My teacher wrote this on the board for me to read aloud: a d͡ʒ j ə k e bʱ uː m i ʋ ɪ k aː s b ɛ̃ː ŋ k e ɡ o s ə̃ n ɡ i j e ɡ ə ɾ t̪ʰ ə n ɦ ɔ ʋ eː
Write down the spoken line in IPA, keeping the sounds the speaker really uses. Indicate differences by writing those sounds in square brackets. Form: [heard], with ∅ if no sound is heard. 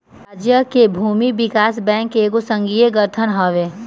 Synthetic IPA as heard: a d͡ʒ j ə k e bʱ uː m i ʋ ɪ k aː s b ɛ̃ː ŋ k e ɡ o s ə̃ [ŋ] ɡ i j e ɡ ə ɾ t̪ʰ ə n ɦ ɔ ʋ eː